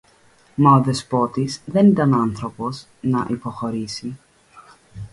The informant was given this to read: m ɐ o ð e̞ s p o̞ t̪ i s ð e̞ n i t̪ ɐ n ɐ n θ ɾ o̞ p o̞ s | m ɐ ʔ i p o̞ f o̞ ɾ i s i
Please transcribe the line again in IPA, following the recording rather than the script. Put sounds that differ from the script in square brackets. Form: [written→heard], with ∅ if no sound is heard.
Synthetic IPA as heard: m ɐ o ð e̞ s p o̞ t̪ i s ð e̞ n i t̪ ɐ n ɐ n θ ɾ o̞ p o̞ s | [m→n] ɐ ʔ i p o̞ [f→x] o̞ ɾ i s i